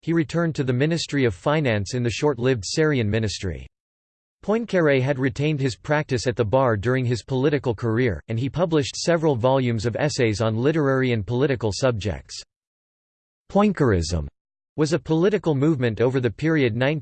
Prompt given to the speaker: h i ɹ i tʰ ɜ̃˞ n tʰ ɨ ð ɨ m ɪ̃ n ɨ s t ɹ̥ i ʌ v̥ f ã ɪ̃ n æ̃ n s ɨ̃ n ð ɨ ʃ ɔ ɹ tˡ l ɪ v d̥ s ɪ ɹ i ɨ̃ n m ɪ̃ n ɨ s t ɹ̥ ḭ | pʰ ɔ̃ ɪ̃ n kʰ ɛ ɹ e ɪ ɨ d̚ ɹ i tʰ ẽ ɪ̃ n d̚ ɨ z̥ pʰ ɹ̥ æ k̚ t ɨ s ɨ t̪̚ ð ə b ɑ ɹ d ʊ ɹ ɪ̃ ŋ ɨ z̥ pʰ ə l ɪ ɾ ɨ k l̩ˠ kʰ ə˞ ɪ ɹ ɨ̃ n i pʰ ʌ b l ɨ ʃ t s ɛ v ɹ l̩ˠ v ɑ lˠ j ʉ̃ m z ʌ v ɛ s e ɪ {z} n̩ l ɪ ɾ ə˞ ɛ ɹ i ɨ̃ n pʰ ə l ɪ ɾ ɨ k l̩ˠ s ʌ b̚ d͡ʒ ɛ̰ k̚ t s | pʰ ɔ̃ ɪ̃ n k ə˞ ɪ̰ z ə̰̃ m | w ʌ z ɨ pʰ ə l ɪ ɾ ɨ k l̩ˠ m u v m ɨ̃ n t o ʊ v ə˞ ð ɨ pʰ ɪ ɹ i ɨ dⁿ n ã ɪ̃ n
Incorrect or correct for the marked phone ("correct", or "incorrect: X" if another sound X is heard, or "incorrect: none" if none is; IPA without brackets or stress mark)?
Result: correct